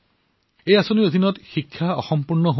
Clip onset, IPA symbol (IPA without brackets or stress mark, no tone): e